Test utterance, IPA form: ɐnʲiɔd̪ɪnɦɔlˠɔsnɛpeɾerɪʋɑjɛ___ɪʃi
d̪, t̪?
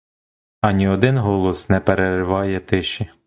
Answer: t̪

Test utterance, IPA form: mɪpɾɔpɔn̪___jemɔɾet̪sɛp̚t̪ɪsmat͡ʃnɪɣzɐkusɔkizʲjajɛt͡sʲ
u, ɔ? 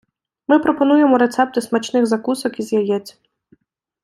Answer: u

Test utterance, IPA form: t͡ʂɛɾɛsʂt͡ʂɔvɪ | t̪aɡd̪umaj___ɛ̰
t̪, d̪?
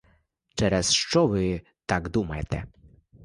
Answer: t̪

